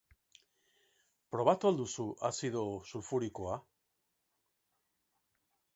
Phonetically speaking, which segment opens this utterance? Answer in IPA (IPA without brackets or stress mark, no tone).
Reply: p